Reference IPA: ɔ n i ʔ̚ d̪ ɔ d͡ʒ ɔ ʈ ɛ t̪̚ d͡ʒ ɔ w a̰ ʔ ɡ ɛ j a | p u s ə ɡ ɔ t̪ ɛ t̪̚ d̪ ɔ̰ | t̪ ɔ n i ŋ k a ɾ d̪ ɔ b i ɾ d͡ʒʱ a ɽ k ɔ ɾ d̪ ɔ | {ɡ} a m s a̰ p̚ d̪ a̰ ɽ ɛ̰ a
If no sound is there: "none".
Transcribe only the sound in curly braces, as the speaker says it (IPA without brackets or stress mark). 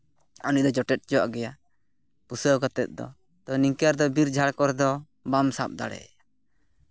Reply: b